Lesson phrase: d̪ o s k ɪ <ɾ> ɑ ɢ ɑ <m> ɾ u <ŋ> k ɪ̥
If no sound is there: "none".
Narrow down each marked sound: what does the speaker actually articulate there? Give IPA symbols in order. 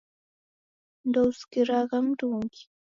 ɾ, m, ŋ

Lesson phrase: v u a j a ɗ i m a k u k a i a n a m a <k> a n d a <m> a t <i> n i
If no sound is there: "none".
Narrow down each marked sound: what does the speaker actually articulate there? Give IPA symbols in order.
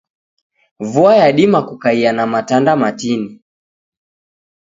t, m, i

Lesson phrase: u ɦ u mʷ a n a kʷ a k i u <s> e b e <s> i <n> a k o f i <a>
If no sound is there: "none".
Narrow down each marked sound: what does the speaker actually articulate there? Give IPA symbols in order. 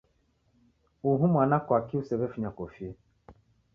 s, f, ɲ, e

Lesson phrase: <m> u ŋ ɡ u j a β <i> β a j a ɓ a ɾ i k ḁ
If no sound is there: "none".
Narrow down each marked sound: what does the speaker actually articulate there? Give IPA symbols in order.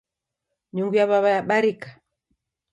ɲ, a

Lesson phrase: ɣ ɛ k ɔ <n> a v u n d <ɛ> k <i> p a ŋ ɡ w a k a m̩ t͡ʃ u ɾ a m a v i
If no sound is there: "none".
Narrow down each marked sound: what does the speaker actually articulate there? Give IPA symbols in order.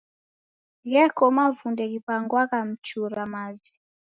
m, ɛ, i

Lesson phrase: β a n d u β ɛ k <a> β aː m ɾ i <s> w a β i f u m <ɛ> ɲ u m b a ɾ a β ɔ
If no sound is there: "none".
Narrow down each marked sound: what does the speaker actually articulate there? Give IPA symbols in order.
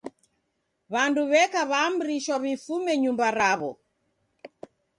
a, ʃ, ɛ

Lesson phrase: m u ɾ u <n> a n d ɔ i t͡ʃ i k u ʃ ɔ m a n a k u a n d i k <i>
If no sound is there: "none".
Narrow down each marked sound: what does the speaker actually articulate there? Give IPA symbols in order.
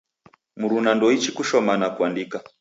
n, a

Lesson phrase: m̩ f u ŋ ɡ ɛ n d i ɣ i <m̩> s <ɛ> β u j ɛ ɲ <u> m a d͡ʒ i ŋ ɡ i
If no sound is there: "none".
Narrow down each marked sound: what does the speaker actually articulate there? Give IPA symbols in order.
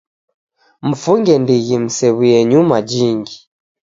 m̩, ɛ, u

